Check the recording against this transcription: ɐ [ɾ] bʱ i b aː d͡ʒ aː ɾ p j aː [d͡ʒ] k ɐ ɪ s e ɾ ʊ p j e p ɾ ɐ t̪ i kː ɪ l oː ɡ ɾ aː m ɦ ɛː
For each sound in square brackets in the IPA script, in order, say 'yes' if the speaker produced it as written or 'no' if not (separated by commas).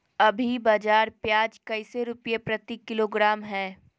no, yes